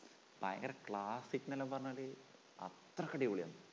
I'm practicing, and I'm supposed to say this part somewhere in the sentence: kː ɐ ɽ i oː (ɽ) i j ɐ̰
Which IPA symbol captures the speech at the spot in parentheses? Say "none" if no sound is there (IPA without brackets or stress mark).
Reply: ɭ